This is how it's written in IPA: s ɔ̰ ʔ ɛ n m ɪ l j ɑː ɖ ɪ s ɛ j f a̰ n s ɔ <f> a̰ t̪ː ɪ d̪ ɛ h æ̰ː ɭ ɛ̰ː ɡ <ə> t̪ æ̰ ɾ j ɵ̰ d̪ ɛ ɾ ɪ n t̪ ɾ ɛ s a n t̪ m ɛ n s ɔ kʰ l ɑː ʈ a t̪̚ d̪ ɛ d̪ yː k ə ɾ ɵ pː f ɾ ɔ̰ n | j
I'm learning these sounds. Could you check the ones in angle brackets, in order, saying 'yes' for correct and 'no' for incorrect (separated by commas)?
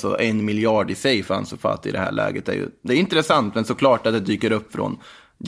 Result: yes, yes